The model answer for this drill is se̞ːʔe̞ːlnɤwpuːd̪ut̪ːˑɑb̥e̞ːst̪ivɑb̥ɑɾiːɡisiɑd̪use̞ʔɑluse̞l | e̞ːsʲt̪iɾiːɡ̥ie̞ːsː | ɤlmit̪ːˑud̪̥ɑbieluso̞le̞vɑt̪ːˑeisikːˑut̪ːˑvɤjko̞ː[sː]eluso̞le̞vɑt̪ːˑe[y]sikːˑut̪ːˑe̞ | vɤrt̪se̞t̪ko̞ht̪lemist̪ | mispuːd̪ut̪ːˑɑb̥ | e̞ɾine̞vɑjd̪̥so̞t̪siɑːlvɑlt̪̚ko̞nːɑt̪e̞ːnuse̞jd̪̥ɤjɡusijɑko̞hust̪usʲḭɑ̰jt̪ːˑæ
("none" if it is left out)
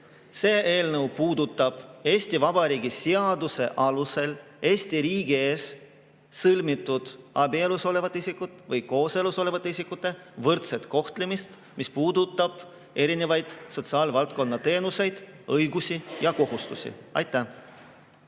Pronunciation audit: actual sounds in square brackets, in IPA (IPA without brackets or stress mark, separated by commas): s, i